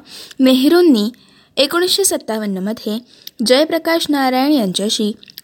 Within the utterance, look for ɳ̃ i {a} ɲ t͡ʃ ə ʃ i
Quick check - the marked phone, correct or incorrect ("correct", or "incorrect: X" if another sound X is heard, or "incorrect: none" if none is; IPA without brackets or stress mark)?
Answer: incorrect: ə